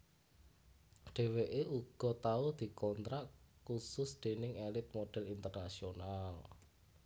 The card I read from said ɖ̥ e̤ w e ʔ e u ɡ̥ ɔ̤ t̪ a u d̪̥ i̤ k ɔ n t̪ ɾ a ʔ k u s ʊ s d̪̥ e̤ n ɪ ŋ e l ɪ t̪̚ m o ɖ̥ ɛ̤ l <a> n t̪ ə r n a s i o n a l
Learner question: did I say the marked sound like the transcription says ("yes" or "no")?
no